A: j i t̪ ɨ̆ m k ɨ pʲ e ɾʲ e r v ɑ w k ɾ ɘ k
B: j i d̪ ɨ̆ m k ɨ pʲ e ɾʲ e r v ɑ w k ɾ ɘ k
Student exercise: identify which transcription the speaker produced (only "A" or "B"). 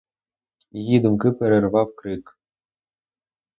B